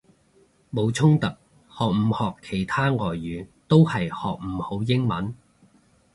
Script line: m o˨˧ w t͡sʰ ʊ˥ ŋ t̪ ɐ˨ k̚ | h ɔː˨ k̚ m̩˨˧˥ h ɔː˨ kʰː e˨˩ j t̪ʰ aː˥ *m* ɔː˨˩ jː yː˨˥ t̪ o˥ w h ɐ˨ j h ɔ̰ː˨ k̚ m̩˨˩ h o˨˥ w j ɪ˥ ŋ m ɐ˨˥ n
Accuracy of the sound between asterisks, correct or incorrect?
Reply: incorrect